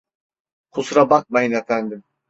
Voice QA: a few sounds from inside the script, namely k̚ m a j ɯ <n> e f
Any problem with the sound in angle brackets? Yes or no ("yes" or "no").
no